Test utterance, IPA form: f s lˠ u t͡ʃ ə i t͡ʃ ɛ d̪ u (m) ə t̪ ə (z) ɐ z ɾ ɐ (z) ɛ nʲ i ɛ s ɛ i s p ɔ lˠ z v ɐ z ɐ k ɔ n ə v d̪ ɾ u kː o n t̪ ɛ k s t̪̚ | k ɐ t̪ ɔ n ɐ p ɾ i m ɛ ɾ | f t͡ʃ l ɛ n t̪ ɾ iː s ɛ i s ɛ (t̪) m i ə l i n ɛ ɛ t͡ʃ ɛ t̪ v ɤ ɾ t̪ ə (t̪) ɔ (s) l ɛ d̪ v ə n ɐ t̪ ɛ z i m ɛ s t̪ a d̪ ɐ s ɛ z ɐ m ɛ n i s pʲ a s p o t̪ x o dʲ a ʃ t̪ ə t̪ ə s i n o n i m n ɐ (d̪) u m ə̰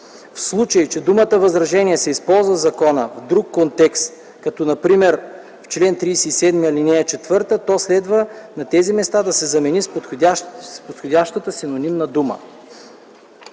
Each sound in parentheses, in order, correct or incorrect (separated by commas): correct, incorrect, incorrect, incorrect, correct, correct, correct